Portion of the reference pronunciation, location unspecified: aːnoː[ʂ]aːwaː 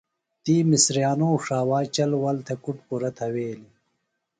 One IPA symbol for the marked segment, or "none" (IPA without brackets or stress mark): ʂ